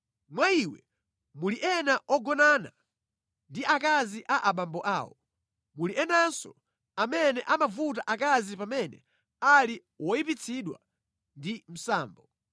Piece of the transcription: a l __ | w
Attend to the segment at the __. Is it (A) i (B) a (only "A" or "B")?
A